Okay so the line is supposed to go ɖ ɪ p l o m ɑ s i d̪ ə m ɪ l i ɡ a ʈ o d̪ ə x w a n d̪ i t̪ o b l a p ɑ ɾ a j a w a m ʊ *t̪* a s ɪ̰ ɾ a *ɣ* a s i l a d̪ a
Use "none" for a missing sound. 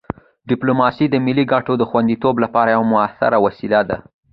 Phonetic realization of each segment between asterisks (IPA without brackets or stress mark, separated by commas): none, w